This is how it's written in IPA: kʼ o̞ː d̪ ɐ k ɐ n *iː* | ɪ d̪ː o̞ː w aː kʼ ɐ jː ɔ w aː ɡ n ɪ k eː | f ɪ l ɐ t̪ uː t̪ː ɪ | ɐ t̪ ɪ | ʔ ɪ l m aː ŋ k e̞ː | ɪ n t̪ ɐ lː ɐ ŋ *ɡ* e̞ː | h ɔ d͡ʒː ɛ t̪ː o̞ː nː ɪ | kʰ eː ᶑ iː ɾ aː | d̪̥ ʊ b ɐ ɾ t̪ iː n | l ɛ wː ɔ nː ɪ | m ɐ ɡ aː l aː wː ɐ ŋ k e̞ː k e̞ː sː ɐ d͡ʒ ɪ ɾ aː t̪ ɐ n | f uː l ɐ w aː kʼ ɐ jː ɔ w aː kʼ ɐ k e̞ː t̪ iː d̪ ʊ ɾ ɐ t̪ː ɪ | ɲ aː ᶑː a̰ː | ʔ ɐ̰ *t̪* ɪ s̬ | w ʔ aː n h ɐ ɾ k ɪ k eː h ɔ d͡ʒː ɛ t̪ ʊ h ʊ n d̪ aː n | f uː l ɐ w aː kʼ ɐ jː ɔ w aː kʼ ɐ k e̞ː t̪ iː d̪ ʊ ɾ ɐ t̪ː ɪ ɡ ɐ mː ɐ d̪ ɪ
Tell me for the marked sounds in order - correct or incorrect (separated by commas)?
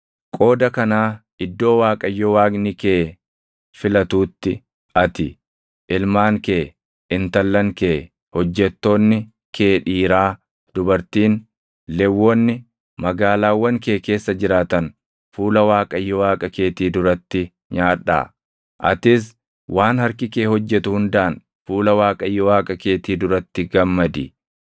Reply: incorrect, incorrect, correct